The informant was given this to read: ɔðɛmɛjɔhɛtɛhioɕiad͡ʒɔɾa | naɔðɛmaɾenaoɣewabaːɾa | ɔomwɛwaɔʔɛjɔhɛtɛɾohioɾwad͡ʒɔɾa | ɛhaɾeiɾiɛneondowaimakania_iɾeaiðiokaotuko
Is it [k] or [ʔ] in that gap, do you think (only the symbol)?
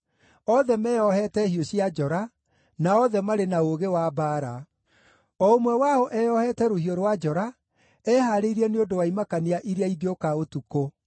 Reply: ʔ